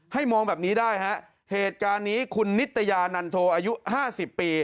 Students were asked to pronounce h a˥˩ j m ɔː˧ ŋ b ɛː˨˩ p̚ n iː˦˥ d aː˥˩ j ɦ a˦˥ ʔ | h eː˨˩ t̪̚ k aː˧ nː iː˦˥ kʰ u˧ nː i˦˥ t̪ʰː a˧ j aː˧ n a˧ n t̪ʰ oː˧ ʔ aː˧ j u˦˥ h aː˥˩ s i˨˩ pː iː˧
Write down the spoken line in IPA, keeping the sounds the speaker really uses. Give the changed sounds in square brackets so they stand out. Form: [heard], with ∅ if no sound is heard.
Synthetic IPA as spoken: h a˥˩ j m ɔː˧ ŋ b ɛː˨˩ p̚ n iː˦˥ d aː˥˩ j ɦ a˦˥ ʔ | h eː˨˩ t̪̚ k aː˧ nː iː˦˥ kʰ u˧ nː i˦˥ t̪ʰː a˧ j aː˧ n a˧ n t̪ʰ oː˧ ʔ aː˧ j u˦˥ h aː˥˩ s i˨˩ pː iː˧

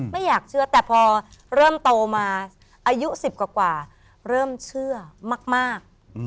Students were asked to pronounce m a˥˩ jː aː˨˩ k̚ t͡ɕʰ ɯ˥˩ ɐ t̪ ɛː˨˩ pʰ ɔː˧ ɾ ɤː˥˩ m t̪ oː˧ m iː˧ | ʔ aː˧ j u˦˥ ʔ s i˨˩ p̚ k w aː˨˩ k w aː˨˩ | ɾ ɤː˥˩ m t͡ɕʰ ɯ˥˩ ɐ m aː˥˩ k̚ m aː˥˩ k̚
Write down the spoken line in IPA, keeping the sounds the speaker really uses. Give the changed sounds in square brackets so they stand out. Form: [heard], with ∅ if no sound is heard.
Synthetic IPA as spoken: m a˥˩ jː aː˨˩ k̚ t͡ɕʰ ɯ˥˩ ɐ t̪ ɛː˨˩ pʰ ɔː˧ ɾ ɤː˥˩ m t̪ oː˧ m [aː˧] | ʔ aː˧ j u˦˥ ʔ s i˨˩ p̚ k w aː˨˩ k w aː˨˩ | ɾ ɤː˥˩ m t͡ɕʰ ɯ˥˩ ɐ m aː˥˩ k̚ m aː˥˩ k̚

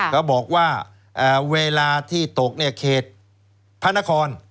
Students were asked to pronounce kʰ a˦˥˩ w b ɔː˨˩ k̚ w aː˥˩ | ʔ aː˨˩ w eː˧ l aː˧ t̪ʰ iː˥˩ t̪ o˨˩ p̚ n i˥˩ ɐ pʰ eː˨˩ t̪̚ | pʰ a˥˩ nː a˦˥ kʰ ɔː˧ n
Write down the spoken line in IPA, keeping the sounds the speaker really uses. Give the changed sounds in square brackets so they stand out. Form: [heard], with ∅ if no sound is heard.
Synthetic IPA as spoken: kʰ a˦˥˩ w b ɔː˨˩ k̚ w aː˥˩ | ʔ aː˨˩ w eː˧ l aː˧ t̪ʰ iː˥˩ t̪ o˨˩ [k̚] n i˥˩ ɐ [kʰ] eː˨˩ t̪̚ | pʰ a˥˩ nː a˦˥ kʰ ɔː˧ n

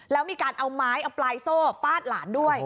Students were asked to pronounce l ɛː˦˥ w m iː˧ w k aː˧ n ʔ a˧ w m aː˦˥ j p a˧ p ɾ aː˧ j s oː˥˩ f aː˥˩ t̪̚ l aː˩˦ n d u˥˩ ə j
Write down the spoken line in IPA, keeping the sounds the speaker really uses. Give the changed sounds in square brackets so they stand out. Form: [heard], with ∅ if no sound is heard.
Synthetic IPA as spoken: l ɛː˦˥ w m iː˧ [∅] k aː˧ n ʔ a˧ w m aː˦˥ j [ʔ] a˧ p [l] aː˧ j s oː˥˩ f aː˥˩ t̪̚ l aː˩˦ n d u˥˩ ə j

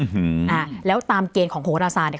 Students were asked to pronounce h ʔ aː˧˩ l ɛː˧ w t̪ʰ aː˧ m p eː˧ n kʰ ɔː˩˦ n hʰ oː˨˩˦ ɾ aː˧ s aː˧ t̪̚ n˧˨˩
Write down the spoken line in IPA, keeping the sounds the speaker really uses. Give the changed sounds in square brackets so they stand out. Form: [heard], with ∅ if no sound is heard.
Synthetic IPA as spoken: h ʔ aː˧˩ l [ɛː˦˥] w [t̪] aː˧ m [k] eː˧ n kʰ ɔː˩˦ [ŋ] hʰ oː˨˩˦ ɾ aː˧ s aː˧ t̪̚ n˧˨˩

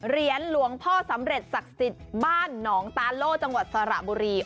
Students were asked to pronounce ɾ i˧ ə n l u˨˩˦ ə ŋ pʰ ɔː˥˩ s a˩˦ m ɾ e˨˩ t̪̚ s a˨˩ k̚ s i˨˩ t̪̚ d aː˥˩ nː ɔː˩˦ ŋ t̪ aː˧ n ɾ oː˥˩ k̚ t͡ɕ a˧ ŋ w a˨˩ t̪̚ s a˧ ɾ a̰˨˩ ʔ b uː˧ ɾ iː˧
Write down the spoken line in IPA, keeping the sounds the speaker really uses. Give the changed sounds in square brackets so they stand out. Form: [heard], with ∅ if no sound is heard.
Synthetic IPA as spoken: ɾ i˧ ə n l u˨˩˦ ə ŋ pʰ ɔː˥˩ s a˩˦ m ɾ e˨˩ t̪̚ s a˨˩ k̚ s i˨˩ t̪̚ [b] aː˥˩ nː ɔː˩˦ ŋ t̪ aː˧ n [l] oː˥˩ k̚ t͡ɕ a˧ ŋ w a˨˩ t̪̚ s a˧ ɾ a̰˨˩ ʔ b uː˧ ɾ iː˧

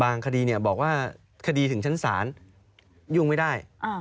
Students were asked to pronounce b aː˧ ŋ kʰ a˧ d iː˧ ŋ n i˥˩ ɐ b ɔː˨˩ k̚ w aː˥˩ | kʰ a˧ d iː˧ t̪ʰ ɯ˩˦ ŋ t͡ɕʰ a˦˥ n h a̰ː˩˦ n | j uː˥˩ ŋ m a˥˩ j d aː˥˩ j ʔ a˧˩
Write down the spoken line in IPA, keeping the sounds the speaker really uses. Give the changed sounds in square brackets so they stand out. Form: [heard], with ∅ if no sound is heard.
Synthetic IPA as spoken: b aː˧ ŋ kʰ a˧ d iː˧ [∅] n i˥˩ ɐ b ɔː˨˩ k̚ w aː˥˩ | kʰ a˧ d iː˧ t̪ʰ ɯ˩˦ ŋ t͡ɕʰ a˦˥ n [s] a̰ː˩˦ n | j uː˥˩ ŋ m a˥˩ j d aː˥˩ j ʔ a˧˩

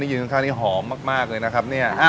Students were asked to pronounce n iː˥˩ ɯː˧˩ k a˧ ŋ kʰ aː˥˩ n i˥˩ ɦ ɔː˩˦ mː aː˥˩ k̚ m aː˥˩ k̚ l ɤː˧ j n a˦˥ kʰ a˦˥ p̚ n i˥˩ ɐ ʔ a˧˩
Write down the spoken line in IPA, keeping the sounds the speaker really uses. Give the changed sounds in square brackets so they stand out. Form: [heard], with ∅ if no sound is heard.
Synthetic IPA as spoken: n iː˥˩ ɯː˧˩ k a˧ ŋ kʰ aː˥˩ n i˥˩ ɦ ɔː˩˦ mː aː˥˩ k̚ m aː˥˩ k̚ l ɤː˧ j n a˦˥ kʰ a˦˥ p̚ n i˥˩ ɐ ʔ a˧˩

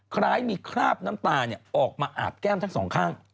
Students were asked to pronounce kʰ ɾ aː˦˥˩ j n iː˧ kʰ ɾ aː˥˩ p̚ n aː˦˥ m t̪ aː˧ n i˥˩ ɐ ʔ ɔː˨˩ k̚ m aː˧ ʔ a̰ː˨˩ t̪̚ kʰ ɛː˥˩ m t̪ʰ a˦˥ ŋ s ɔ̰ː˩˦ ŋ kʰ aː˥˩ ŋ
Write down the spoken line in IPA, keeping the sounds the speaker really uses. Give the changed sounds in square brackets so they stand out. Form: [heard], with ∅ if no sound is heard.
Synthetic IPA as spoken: kʰ ɾ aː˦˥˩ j [m] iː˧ kʰ ɾ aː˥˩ p̚ n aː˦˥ m t̪ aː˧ n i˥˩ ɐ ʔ ɔː˨˩ k̚ m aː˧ ʔ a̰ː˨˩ t̪̚ [k] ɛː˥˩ m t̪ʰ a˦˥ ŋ s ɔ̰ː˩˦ ŋ kʰ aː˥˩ ŋ

